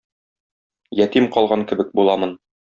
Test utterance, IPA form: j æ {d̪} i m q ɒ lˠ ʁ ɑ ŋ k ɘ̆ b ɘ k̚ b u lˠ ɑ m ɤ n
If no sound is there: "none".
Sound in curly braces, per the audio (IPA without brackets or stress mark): t̪